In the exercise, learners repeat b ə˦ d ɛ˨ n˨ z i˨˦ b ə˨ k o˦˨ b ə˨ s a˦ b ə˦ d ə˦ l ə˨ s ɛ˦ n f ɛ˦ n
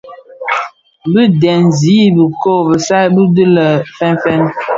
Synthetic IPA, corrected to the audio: b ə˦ d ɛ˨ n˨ z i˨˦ b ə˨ k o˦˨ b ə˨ s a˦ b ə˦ d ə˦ l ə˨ f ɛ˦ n f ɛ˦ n